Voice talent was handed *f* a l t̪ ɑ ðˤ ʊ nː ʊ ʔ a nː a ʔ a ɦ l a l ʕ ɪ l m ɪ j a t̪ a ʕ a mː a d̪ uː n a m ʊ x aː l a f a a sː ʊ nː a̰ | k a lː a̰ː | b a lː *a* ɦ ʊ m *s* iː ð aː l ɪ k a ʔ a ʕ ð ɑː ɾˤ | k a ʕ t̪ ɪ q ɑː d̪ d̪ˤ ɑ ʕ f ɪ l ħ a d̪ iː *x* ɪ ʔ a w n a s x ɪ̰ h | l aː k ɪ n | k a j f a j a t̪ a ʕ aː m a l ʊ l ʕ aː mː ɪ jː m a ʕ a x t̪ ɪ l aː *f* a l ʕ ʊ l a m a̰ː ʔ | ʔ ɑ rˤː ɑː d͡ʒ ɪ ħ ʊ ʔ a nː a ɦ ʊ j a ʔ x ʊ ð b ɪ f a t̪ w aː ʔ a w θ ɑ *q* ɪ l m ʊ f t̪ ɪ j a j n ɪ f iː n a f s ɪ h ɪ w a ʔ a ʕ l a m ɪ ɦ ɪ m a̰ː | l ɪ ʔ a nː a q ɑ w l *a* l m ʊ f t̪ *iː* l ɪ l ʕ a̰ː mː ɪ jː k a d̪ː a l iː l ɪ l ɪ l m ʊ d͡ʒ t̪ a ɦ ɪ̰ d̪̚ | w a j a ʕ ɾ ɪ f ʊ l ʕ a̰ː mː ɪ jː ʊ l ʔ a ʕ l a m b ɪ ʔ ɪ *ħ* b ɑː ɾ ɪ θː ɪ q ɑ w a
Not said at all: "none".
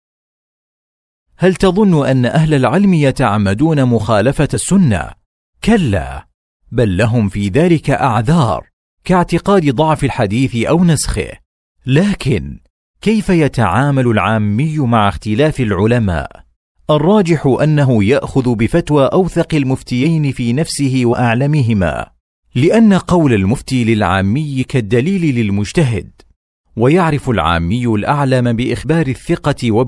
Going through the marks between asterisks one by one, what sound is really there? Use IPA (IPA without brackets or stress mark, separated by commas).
h, a, f, θ, f, q, a, iː, x